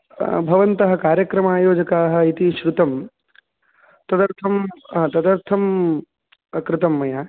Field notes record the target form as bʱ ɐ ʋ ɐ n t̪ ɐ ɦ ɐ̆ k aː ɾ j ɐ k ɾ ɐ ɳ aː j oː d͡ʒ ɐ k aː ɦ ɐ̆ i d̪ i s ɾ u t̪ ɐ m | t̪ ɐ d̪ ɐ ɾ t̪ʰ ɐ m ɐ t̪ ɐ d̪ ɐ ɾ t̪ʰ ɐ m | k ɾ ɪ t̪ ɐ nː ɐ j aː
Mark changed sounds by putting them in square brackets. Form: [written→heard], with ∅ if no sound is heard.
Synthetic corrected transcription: bʱ ɐ ʋ ɐ n t̪ ɐ ɦ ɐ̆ k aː ɾ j ɐ k ɾ ɐ [ɳ→m] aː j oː d͡ʒ ɐ k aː ɦ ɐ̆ i [d̪→t̪] i [s→ʃ] ɾ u t̪ ɐ m | t̪ ɐ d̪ ɐ ɾ t̪ʰ ɐ m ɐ t̪ ɐ d̪ ɐ ɾ t̪ʰ ɐ m | k ɾ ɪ t̪ ɐ [nː→mː] ɐ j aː